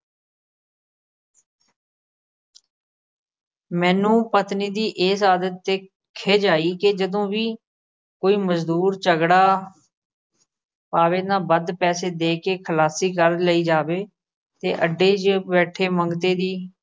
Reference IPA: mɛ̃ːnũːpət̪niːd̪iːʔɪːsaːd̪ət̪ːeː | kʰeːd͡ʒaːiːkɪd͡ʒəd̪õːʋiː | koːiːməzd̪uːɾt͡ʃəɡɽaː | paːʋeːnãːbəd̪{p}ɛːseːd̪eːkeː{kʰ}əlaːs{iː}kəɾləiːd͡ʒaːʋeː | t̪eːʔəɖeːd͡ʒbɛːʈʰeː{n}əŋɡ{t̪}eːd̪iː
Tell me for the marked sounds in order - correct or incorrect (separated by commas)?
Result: correct, correct, correct, incorrect, correct